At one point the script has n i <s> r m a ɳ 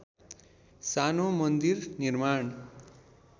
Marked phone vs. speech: incorrect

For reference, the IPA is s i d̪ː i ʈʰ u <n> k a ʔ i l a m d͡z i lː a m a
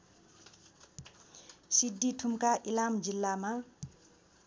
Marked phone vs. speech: incorrect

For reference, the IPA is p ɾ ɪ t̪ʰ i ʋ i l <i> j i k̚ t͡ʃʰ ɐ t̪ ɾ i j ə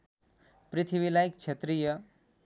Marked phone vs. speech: incorrect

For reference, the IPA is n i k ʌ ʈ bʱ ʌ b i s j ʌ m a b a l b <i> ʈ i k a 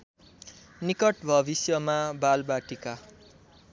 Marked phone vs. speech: incorrect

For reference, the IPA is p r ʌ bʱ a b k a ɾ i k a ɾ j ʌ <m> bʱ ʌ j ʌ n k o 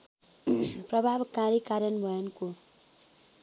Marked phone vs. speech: incorrect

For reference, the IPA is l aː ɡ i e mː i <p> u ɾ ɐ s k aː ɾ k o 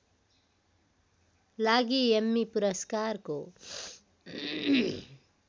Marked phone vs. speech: correct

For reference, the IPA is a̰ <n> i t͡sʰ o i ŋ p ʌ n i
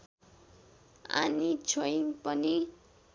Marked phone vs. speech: correct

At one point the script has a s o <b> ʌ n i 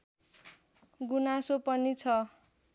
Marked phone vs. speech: incorrect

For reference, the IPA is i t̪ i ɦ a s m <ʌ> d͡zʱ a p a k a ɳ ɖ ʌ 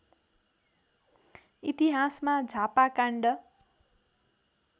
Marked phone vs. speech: incorrect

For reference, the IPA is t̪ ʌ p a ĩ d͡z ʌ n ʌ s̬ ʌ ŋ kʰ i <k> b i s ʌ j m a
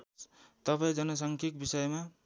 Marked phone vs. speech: correct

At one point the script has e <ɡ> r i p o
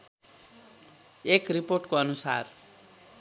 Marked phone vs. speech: incorrect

